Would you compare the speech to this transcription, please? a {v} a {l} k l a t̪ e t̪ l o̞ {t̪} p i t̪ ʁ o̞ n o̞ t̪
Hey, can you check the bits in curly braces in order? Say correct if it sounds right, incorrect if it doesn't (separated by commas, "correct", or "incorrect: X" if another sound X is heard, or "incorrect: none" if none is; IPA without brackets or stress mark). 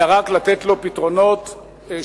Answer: incorrect: ʁ, incorrect: none, incorrect: none